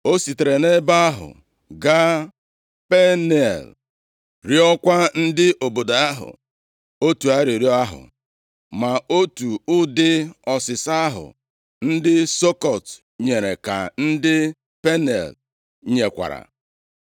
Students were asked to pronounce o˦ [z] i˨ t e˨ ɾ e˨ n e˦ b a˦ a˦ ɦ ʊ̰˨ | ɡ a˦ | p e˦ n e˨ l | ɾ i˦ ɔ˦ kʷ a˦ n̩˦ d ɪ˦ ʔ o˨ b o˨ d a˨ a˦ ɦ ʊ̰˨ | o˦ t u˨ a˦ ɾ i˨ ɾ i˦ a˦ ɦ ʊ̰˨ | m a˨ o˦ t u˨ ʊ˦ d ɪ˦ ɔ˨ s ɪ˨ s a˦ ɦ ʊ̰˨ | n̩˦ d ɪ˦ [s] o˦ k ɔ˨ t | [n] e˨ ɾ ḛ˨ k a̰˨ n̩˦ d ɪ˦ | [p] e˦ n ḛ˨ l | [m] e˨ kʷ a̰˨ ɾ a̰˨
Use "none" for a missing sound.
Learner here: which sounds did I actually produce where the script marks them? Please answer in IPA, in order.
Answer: s, s, ɲ, p, ɲ

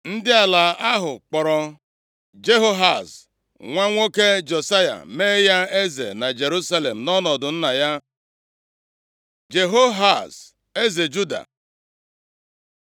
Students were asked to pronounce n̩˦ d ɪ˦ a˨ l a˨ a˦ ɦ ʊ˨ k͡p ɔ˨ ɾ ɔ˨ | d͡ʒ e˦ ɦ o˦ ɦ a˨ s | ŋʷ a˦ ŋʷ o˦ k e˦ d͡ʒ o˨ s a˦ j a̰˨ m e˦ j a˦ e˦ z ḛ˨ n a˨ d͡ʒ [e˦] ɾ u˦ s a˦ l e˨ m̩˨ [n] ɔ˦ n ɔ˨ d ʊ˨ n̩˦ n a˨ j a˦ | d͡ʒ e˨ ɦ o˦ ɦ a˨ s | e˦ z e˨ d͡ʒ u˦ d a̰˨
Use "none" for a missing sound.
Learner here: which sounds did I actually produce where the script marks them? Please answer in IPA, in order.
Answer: e˨, n

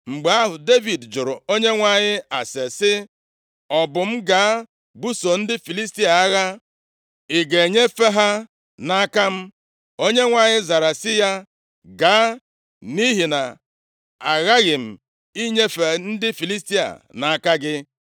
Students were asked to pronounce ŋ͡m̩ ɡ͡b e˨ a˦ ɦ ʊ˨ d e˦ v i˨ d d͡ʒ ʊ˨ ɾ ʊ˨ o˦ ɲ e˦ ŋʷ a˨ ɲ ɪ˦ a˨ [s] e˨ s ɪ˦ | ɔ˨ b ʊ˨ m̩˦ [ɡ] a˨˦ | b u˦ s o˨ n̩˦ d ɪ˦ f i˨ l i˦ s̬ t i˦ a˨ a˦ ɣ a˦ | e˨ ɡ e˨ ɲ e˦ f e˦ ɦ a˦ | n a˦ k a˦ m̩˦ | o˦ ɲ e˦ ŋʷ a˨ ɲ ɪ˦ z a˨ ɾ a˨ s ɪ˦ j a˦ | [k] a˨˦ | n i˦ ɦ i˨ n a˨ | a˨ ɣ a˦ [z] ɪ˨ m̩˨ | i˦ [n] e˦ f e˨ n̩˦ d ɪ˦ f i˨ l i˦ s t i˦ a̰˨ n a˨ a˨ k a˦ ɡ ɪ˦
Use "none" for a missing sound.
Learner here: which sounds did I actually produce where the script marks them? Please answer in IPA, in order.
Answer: s, ɡ, ɡ, ɣ, ɲ

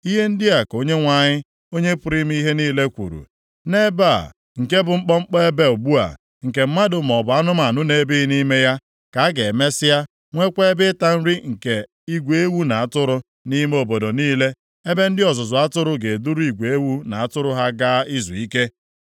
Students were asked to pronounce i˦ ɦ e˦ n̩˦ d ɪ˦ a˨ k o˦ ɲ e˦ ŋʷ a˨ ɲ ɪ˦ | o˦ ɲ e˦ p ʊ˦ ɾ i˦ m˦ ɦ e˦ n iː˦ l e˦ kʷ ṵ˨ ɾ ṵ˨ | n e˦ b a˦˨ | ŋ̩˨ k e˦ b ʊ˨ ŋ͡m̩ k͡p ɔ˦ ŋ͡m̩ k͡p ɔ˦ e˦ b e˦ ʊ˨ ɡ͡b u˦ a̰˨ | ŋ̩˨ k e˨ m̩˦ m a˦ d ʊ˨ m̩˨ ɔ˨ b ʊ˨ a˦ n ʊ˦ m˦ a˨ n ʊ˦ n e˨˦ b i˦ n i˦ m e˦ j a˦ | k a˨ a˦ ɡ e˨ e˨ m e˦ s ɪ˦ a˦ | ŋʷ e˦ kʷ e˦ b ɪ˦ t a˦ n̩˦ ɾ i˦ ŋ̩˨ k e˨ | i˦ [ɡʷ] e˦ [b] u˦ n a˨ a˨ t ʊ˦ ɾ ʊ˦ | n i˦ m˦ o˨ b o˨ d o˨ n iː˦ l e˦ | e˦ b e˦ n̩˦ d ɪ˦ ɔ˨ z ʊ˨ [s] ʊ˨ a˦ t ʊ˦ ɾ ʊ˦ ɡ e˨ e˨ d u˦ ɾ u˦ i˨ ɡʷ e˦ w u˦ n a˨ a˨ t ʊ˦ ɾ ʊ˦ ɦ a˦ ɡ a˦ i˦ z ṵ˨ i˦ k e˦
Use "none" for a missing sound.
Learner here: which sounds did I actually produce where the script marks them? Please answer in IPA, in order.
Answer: ɡʷ, w, z

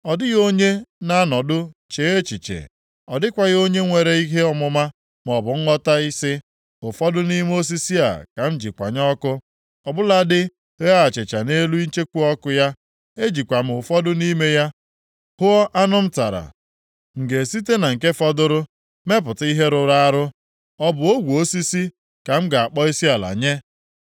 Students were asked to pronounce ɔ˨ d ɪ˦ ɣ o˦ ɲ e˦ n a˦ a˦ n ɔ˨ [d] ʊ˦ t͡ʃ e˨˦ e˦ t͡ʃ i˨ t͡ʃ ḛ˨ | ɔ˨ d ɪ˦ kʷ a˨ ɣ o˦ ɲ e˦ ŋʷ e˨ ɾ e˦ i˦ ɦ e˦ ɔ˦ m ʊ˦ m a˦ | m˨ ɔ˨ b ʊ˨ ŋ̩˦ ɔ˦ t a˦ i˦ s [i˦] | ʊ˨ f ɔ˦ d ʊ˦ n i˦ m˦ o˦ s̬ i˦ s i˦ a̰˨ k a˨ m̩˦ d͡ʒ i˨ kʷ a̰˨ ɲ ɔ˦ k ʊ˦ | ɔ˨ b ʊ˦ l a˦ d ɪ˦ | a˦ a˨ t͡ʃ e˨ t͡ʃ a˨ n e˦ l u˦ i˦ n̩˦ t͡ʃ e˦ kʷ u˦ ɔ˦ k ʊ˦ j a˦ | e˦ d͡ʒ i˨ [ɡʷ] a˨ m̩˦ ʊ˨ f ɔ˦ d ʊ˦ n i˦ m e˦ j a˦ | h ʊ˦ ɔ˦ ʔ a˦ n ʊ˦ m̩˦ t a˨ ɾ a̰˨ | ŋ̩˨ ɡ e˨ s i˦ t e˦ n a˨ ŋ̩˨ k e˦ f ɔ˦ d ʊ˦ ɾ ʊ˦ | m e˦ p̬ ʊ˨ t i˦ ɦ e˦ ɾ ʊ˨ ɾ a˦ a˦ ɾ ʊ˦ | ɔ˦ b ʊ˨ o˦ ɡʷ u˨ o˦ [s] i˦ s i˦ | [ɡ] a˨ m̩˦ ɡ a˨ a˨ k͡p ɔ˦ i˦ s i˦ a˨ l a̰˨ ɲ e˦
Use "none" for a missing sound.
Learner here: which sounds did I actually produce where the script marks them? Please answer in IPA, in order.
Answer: d, ɪ˦, kʷ, s, k

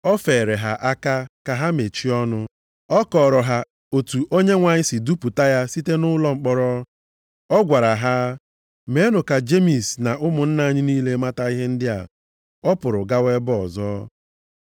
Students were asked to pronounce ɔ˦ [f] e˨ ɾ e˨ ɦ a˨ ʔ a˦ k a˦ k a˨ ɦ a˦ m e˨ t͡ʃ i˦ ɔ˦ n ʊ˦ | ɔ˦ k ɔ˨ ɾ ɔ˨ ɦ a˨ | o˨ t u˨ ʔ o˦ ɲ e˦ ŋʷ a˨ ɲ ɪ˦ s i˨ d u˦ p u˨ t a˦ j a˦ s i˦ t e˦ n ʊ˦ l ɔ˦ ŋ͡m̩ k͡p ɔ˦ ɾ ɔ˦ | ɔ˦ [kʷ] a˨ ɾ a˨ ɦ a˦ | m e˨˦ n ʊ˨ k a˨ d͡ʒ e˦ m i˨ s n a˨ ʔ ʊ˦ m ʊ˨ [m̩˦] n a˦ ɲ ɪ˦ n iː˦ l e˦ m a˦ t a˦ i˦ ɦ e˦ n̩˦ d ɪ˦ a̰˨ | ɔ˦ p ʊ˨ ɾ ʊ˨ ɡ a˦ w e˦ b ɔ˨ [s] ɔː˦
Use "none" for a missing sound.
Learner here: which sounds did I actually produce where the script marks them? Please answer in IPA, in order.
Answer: f, ɡʷ, n̩˦, z

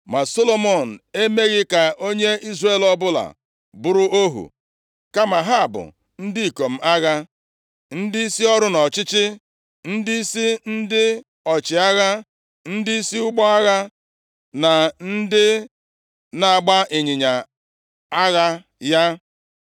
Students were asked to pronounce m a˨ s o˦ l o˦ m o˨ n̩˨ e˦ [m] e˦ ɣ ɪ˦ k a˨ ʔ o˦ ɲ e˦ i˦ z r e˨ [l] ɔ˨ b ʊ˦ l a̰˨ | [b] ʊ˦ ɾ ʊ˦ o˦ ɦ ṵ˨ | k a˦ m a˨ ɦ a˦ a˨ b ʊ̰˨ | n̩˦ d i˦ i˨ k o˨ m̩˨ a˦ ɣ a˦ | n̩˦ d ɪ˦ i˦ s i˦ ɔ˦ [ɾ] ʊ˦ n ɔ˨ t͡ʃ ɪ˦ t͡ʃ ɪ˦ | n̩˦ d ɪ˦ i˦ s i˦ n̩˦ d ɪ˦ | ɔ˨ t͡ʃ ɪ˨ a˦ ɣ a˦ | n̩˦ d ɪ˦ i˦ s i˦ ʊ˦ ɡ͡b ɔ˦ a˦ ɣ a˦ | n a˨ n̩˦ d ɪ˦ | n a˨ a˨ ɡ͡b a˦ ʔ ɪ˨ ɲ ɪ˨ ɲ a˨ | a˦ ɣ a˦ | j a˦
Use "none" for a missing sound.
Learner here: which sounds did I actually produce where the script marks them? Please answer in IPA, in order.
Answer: m, l, b, ɾ

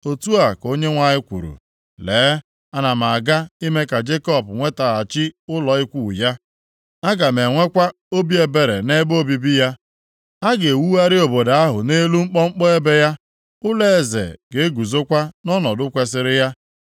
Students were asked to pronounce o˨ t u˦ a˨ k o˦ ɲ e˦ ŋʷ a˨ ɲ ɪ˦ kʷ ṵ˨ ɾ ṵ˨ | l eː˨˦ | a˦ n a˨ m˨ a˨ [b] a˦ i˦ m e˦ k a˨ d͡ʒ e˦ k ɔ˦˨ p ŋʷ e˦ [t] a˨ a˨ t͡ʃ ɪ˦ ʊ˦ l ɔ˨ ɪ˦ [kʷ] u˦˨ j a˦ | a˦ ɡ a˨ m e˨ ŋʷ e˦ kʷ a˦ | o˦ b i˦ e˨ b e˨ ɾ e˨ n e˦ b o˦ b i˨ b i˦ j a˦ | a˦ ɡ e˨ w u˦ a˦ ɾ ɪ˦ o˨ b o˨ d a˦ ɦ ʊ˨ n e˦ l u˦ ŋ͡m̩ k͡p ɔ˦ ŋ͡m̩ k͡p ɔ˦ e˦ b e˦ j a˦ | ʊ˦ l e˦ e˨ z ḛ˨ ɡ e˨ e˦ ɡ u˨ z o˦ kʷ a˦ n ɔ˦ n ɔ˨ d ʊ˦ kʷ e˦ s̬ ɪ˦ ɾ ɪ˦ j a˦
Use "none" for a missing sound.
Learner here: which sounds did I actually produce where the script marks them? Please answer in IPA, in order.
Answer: ɡ, t, kʷ

